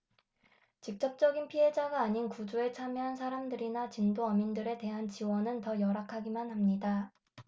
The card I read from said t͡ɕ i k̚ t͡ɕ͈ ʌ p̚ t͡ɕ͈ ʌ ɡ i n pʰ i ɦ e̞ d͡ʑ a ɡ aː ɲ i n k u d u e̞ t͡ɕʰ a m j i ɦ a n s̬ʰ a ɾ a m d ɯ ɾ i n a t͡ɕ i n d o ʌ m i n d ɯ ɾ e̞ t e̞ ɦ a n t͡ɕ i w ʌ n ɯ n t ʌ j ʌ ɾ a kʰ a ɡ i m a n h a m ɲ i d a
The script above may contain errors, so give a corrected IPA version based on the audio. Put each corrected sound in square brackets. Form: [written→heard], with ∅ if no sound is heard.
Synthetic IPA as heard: t͡ɕ i k̚ t͡ɕ͈ ʌ p̚ t͡ɕ͈ ʌ ɡ i n pʰ i ɦ e̞ d͡ʑ a ɡ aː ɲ i n k u [d→d͡ʑ] u e̞ t͡ɕʰ a m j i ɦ a n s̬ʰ a ɾ a m d ɯ ɾ i n a t͡ɕ i n d o ʌ m i n d ɯ ɾ e̞ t e̞ ɦ a n t͡ɕ i w ʌ n ɯ n t ʌ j ʌ ɾ a kʰ a ɡ i m a n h a m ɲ i d a